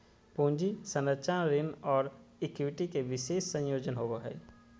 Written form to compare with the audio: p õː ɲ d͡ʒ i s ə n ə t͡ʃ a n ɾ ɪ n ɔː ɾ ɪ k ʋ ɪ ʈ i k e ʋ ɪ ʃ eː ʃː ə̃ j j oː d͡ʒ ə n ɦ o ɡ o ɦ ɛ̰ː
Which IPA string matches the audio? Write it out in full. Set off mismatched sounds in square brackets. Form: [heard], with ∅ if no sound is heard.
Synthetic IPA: p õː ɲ d͡ʒ i s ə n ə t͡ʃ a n ɾ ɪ n ɔː ɾ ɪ k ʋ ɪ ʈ i k e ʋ ɪ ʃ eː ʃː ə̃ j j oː d͡ʒ ə n ɦ o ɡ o ɦ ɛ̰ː

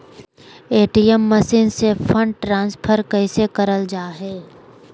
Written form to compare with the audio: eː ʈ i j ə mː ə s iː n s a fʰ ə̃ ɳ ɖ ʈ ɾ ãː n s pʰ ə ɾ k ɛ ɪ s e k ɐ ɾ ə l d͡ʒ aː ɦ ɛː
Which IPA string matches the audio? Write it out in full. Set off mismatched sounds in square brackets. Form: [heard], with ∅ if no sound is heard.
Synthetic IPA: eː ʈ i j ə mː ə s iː n s [e] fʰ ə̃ ɳ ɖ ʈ ɾ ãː n s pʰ ə ɾ k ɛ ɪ s e k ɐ ɾ ə l d͡ʒ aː ɦ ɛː

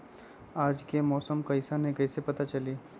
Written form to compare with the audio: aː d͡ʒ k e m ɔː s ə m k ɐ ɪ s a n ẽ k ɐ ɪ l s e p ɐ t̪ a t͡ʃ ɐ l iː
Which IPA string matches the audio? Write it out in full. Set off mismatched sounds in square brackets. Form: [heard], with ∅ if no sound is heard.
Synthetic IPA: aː d͡ʒ k e m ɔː s ə m k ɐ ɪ s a n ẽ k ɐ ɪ [∅] s e p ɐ t̪ a t͡ʃ ɐ l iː

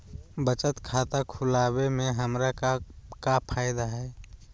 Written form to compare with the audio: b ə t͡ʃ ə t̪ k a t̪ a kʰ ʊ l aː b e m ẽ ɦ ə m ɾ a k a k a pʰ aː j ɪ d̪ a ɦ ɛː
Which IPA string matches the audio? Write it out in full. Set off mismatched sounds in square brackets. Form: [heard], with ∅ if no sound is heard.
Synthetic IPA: b ə t͡ʃ ə t̪ [kʰ] a t̪ a kʰ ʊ l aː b e m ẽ ɦ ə m ɾ a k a k a pʰ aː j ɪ d̪ a ɦ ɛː

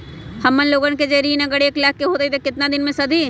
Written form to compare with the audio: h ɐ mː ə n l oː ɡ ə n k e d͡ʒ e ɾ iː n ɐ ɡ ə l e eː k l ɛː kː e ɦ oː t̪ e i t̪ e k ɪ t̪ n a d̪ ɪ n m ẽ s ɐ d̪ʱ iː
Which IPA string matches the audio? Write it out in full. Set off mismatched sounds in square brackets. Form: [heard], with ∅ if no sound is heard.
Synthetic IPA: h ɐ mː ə n l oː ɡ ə n k e d͡ʒ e ɾ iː n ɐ ɡ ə [ɽ] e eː k l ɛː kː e ɦ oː t̪ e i t̪ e k ɪ t̪ n a d̪ ɪ n m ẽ s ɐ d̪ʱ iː

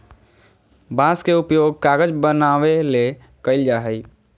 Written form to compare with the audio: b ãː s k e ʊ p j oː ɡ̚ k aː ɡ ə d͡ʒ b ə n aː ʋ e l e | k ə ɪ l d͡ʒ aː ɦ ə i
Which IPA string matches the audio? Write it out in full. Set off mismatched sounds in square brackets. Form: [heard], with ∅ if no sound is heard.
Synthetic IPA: b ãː s k e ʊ p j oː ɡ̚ k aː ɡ ə d͡ʒ b ə n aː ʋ e l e | k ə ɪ l d͡ʒ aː ɦ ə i

